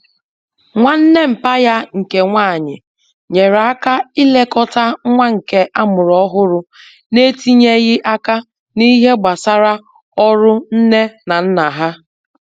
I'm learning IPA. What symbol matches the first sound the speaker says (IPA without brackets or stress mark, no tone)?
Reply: ŋʷ